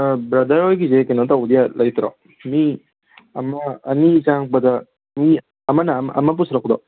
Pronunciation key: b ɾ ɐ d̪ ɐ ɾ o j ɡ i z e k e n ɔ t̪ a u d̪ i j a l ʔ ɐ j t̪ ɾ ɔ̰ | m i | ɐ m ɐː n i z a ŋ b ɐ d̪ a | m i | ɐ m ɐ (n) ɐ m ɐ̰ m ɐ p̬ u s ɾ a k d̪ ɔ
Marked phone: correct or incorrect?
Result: correct